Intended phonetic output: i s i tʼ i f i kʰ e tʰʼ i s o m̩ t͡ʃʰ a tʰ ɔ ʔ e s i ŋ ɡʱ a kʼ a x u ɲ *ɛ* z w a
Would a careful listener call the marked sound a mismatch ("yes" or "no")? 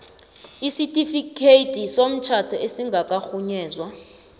yes